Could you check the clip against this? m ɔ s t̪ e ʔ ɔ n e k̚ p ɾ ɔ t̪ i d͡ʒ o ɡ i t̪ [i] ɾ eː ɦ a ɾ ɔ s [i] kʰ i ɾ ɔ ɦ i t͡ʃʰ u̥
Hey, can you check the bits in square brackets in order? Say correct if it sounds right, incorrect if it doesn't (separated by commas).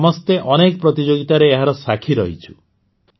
incorrect, incorrect